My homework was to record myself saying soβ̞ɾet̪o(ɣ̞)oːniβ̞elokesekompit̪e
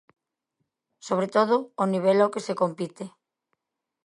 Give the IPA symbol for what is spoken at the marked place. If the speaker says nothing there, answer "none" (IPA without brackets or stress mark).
ð̞